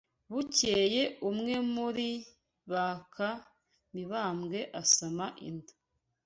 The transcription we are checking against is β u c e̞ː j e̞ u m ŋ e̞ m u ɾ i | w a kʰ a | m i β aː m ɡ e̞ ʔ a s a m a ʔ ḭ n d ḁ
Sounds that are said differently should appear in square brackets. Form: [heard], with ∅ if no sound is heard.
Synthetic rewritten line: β u c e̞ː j e̞ u m ŋ e̞ m u ɾ i | [β] a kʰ a | m i β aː m ɡ e̞ ʔ a s a m a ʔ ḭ n d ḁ